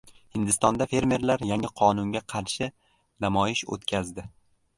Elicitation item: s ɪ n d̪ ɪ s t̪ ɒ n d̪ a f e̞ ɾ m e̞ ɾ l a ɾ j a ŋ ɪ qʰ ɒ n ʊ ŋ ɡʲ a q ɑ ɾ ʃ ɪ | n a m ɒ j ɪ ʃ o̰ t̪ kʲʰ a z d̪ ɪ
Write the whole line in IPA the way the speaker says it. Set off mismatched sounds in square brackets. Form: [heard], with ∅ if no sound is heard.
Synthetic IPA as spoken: [h] ɪ n d̪ ɪ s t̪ ɒ n d̪ a f e̞ ɾ m e̞ ɾ l a ɾ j a ŋ ɪ qʰ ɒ n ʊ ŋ ɡʲ a [qʰ] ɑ ɾ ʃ ɪ | n a m ɒ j ɪ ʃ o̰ t̪ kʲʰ a z d̪ ɪ